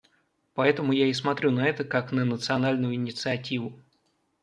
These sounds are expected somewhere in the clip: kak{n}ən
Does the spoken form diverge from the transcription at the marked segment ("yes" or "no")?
no